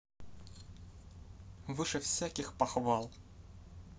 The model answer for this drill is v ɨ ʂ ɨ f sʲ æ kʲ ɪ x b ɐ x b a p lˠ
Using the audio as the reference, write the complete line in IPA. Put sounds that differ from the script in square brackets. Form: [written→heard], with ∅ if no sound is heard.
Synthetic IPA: v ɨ ʂ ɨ f sʲ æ kʲ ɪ x [b→p] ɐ x [b→v] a [p→∅] lˠ